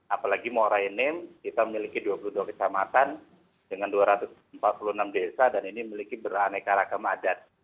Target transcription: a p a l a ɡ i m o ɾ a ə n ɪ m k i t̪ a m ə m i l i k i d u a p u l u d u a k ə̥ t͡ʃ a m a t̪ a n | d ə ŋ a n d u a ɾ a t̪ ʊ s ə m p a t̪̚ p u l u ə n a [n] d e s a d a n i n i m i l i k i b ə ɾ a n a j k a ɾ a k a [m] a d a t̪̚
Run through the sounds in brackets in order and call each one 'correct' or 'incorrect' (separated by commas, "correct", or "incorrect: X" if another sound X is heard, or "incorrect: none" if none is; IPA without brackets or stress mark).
incorrect: m, correct